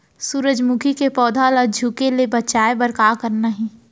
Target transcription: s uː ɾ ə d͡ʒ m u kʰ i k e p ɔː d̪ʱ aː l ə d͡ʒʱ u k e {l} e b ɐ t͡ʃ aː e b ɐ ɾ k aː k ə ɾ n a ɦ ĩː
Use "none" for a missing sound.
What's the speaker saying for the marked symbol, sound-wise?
l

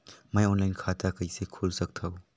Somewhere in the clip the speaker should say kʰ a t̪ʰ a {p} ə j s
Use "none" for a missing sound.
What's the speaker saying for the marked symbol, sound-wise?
k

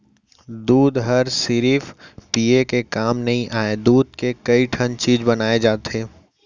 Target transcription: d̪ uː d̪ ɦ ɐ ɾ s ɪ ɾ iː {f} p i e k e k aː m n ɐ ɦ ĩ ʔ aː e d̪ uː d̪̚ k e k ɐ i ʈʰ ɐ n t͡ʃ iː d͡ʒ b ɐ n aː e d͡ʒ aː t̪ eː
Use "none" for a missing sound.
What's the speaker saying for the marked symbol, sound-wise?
f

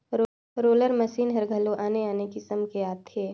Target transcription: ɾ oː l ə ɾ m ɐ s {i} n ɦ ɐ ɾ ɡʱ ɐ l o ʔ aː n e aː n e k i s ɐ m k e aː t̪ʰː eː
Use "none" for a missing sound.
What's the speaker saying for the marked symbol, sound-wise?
iː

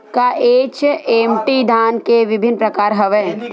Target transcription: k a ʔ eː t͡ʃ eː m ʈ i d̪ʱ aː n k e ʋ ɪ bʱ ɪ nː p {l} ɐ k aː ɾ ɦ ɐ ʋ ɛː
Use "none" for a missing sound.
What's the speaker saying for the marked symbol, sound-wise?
ɾ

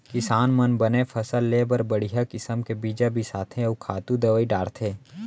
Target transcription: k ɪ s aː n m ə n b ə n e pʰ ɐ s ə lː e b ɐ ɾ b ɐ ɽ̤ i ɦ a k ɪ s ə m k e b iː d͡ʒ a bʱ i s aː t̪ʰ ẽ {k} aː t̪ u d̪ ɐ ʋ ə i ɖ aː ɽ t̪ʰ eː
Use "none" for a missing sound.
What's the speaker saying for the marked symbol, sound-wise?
kʰ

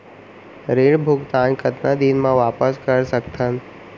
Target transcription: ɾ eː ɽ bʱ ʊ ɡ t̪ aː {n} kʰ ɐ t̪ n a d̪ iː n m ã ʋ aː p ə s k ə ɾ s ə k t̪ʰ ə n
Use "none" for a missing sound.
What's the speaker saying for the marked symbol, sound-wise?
n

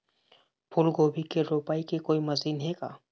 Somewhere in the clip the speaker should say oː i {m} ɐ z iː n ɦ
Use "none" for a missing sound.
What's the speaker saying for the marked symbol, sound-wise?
m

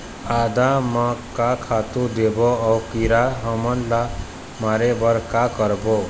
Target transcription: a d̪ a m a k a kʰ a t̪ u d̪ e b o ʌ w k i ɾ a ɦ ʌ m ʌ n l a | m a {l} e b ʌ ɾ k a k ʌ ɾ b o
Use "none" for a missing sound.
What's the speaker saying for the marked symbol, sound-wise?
ɾ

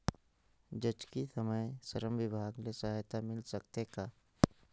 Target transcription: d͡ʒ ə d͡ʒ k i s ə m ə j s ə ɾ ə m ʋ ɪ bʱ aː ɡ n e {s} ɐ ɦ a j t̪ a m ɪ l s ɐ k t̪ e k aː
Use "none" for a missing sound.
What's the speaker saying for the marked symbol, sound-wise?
s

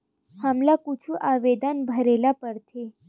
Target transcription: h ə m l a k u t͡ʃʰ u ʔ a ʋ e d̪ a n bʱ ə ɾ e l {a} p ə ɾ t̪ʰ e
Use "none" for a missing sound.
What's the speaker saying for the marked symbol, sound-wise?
a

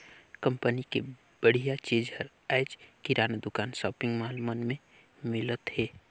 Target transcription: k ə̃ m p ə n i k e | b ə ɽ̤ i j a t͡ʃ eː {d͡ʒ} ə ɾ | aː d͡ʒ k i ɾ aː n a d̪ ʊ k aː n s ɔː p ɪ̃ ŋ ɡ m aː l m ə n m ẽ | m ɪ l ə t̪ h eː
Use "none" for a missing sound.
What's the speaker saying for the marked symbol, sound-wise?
d͡ʒ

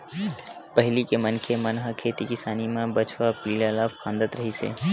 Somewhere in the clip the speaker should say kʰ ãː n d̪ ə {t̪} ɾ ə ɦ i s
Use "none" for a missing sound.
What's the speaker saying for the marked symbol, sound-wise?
t̪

